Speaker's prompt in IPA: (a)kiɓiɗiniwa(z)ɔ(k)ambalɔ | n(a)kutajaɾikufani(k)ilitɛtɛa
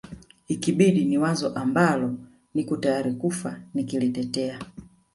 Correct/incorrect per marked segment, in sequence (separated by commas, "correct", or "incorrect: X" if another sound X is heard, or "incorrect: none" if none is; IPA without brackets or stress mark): incorrect: i, correct, incorrect: ʔ, incorrect: i, correct